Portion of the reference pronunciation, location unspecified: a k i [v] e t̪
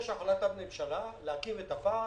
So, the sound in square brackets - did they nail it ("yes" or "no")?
yes